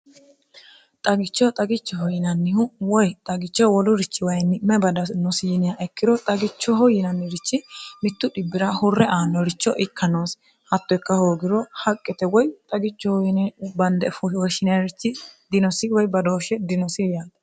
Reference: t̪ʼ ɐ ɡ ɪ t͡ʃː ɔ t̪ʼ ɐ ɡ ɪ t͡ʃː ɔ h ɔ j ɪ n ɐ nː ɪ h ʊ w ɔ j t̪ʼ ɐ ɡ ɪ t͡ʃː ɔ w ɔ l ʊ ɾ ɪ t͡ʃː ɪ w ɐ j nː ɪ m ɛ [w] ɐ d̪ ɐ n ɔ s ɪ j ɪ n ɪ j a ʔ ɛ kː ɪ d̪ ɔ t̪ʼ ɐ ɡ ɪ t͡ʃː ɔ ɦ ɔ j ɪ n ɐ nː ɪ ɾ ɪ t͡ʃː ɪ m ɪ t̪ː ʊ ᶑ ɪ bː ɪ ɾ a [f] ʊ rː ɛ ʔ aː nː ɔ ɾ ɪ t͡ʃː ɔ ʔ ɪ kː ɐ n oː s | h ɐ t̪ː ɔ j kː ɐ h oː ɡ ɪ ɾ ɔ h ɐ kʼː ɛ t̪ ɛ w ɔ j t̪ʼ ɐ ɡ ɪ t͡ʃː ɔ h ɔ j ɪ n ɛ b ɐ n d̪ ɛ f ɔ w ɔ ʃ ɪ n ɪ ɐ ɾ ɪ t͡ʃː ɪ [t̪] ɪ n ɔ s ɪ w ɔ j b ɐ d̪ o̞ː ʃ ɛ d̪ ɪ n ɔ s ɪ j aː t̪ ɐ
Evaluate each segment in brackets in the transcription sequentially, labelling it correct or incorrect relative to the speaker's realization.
incorrect, incorrect, incorrect

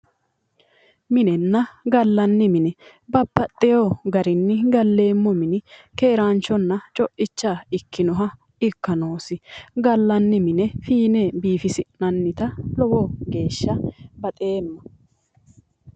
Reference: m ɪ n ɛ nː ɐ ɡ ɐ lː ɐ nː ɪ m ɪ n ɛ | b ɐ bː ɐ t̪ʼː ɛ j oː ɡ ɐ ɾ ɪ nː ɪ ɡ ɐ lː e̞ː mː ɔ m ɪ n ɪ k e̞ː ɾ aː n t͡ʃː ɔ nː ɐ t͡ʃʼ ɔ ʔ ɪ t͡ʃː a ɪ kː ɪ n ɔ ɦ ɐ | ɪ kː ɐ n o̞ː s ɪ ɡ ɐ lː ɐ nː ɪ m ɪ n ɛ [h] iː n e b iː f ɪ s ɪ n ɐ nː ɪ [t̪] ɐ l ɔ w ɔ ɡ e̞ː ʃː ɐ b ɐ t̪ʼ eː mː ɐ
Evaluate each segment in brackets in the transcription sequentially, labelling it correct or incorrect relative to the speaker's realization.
incorrect, correct

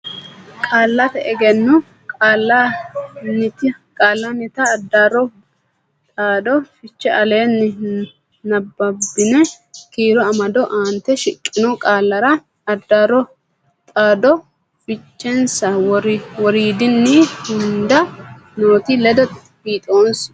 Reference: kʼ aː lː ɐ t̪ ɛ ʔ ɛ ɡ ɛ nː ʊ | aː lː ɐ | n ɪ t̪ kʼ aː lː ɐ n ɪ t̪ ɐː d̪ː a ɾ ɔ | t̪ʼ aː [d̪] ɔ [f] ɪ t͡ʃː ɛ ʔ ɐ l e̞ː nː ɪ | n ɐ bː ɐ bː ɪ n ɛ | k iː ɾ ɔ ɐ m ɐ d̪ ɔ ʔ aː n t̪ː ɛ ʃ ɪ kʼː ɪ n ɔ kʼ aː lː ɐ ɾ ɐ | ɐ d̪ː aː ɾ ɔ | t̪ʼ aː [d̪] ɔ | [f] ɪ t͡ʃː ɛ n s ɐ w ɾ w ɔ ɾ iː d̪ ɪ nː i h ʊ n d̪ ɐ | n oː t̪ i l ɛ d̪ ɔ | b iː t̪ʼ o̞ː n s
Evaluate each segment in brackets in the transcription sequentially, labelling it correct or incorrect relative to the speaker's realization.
correct, correct, correct, correct

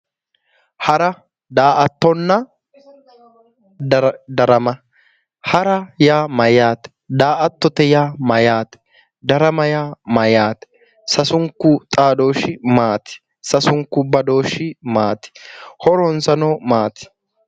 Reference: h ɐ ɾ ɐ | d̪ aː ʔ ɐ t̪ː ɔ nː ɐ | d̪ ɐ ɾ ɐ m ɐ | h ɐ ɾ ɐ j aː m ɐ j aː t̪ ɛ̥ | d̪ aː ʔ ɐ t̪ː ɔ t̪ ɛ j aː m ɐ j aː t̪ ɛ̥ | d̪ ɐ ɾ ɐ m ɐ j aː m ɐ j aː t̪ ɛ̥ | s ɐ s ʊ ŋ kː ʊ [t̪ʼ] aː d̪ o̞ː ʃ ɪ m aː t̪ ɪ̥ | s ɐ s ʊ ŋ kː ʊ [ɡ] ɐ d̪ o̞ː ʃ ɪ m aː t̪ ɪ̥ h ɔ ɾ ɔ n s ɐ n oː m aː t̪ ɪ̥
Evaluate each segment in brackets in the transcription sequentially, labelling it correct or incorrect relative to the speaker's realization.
correct, incorrect

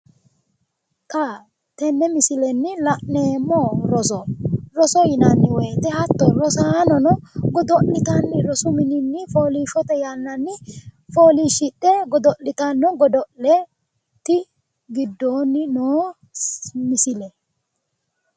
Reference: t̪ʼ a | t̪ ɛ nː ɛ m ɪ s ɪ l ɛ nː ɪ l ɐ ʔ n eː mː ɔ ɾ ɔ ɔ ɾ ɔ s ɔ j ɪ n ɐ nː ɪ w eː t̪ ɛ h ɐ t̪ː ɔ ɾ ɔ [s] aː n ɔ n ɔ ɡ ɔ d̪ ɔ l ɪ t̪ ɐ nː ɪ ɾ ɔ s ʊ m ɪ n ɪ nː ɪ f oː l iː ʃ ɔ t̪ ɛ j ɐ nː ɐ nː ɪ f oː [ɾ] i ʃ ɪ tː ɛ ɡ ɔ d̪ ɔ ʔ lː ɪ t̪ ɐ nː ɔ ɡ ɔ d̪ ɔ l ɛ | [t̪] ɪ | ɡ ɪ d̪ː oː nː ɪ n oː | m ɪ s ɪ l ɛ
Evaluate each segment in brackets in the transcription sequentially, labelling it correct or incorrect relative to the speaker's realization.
correct, incorrect, correct

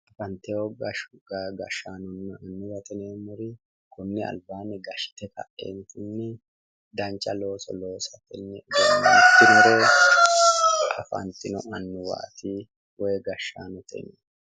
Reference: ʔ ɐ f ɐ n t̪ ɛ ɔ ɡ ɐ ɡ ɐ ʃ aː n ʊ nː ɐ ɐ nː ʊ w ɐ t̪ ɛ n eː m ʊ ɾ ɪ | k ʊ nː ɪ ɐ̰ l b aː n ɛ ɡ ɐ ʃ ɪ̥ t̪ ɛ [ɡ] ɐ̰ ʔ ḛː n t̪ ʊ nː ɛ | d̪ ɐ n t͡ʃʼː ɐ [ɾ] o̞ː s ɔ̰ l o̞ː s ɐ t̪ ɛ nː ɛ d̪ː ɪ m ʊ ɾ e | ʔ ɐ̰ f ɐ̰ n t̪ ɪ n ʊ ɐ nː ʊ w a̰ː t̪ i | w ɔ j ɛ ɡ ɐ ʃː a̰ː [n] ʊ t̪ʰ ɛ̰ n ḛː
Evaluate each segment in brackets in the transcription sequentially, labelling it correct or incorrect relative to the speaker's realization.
incorrect, incorrect, correct

